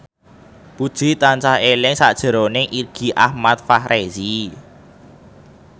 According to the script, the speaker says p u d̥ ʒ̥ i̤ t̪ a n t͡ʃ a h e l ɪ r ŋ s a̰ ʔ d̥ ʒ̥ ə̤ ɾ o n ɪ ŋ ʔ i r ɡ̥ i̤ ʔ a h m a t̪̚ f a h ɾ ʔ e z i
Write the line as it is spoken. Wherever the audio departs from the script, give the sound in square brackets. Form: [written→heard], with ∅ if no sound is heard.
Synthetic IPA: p u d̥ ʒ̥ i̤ t̪ a n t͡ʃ a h e l ɪ [r→∅] ŋ s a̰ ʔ d̥ ʒ̥ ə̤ ɾ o n ɪ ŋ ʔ i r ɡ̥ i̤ ʔ a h m a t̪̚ f a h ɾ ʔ e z i